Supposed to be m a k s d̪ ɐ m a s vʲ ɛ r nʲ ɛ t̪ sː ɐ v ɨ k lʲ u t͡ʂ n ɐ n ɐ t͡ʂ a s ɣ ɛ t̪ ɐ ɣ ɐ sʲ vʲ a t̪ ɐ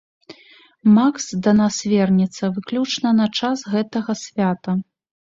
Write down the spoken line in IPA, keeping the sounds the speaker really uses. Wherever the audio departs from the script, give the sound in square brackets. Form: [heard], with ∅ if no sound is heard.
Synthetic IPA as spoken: m a k s d̪ ɐ [n] a s vʲ ɛ r nʲ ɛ t̪ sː ɐ v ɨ k lʲ u t͡ʂ n ɐ n ɐ t͡ʂ a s ɣ ɛ t̪ ɐ ɣ ɐ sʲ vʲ a t̪ ɐ